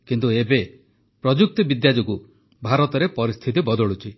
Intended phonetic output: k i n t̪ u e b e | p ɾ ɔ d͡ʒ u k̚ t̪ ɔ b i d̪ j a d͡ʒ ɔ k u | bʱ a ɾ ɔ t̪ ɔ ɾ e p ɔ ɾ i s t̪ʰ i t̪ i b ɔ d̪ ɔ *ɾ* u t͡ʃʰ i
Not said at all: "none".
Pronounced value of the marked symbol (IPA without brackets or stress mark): ɭ